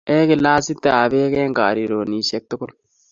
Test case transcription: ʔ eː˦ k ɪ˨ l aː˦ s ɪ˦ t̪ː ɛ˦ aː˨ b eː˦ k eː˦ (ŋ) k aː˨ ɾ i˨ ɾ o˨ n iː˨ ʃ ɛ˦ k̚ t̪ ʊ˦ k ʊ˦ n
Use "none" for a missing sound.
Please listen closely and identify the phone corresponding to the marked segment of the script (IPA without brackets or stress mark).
ŋ